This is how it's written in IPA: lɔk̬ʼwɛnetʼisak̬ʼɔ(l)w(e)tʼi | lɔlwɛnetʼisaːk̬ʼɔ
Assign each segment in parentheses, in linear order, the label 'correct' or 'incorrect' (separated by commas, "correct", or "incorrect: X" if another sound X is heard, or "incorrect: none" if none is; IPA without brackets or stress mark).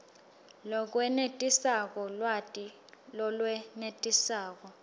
correct, incorrect: a